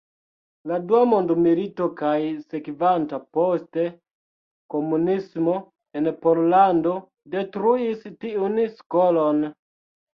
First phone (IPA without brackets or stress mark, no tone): l